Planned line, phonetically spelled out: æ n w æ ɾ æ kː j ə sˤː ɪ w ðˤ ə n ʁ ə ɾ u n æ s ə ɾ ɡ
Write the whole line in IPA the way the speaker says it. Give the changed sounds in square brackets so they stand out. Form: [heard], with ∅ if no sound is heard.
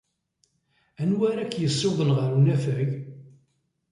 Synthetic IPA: æ n w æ ɾ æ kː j ə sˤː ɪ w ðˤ ə n ʁ ə ɾ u n æ [f] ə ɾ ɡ